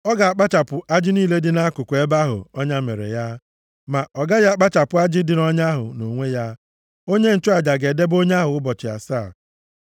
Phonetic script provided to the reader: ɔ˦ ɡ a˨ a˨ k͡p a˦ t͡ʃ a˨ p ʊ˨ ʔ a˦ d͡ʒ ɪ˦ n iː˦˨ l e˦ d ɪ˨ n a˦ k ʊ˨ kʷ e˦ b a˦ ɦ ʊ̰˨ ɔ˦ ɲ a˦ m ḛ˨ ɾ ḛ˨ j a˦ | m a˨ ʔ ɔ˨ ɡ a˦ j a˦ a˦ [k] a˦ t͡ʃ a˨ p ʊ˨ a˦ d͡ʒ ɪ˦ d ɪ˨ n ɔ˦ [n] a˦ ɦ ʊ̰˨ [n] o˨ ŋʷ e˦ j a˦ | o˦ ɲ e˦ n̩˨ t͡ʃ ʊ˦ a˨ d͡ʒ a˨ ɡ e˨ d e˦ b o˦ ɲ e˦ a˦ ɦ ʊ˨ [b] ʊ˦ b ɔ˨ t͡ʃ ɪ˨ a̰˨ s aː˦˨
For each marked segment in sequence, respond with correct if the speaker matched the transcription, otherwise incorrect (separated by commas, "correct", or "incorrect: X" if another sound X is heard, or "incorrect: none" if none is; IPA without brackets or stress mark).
incorrect: k͡p, incorrect: ɲ, correct, incorrect: none